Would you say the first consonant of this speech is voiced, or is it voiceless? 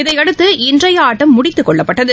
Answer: voiced